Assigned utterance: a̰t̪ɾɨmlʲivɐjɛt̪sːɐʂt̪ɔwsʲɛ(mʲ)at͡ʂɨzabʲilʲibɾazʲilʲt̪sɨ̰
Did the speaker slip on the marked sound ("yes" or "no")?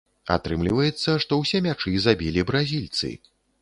no